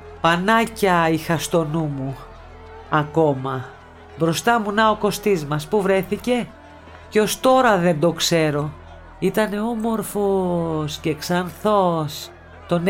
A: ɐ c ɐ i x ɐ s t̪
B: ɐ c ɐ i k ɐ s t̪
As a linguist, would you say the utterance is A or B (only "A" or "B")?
A